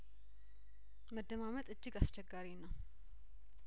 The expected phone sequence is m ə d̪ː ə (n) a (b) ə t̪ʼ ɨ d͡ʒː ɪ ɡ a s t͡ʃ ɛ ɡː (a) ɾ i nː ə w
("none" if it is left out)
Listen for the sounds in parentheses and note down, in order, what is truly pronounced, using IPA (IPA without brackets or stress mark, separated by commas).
m, m, a